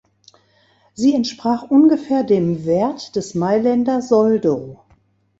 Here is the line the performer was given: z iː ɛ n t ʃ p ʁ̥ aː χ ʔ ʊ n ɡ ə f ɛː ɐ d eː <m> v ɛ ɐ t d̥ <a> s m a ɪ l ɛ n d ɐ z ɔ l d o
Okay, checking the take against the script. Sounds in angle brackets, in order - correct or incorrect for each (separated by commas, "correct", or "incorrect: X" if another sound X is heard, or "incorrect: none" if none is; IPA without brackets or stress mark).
correct, incorrect: ɛ